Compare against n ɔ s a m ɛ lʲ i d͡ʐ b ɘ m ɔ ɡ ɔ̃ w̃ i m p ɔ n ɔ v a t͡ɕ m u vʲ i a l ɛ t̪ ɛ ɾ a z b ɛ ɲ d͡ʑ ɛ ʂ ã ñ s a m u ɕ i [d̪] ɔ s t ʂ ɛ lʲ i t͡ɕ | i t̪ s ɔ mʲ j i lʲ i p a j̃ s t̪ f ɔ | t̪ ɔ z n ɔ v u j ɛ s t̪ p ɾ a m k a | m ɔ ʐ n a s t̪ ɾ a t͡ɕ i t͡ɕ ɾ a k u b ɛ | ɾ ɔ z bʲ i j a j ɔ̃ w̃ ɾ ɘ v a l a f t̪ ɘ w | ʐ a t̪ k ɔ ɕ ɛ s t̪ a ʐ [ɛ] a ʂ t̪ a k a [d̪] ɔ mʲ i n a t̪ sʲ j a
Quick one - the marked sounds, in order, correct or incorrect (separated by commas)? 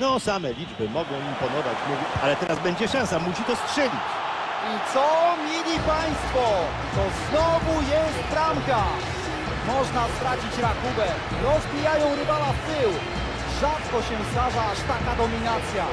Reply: incorrect, incorrect, correct